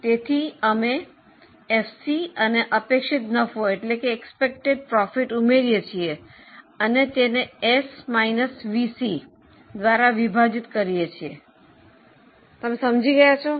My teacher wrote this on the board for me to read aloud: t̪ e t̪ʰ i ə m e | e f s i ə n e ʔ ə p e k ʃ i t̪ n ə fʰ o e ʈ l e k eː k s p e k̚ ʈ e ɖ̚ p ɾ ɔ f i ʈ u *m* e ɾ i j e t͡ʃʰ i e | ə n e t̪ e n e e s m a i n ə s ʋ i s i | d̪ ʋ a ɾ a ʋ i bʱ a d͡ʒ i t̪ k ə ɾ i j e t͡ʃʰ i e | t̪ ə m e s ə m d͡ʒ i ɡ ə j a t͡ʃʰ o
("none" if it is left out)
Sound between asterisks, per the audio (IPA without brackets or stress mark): m